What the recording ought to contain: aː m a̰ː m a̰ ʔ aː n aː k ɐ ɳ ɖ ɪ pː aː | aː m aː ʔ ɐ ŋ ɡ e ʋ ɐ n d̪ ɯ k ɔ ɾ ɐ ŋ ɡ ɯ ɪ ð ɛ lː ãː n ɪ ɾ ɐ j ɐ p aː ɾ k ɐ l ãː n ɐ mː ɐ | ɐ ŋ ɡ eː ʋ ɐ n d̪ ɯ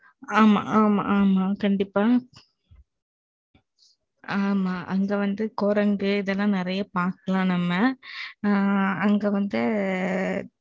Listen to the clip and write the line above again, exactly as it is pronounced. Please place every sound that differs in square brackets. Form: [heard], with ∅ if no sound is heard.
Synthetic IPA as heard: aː m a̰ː m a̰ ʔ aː [m] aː k ɐ ɳ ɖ ɪ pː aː | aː m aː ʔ ɐ ŋ ɡ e ʋ ɐ n d̪ ɯ k ɔ ɾ ɐ ŋ ɡ ɯ ɪ ð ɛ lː ãː n ɪ ɾ ɐ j ɐ p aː ɾ k ɐ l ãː n ɐ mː ɐ | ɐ ŋ ɡ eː ʋ ɐ n d̪ ɯ

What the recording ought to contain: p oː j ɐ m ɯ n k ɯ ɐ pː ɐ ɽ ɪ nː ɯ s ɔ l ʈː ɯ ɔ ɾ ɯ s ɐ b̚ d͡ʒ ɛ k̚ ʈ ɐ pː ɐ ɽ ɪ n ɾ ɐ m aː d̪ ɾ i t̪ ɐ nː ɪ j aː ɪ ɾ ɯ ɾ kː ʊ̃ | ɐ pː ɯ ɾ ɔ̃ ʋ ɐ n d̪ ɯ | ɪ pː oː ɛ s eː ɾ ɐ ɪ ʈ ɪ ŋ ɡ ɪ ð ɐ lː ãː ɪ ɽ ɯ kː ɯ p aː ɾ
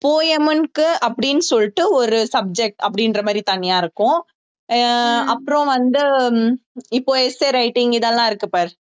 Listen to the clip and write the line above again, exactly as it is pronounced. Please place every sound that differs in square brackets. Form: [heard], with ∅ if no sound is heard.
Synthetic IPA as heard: p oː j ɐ m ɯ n k ɯ ɐ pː ɐ ɽ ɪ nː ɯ s ɔ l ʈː ɯ ɔ ɾ ɯ s ɐ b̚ d͡ʒ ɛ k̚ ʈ ɐ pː ɐ ɽ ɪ n ɾ ɐ m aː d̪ ɾ i t̪ ɐ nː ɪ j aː ɪ ɾ ɯ [∅] kː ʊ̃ | ɐ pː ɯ ɾ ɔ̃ ʋ ɐ n d̪ ɯ | ɪ pː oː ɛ s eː ɾ ɐ ɪ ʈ ɪ ŋ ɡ ɪ ð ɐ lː ãː ɪ [ɾ] ɯ kː ɯ p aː ɾ

